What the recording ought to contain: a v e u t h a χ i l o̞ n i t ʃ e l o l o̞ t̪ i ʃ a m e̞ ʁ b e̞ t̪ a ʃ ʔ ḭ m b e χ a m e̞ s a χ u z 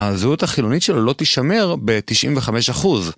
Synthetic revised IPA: a z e u t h a χ i l o̞ n i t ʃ e l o l o̞ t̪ i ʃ a m e̞ ʁ b e̞ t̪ i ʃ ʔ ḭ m v e χ a m e̞ ʃ a χ u z